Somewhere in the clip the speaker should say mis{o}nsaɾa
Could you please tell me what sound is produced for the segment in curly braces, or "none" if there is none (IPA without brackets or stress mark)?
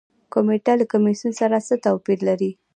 u